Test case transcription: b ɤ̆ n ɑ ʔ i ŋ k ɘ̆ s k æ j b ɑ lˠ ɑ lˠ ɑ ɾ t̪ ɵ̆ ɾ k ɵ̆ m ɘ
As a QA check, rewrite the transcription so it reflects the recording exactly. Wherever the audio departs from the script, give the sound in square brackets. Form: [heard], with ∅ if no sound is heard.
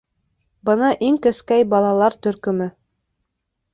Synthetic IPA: b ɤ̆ n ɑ ʔ i ŋ k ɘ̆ s k æ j b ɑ lˠ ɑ lˠ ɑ ɾ t̪ ɵ̆ ɾ k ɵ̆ m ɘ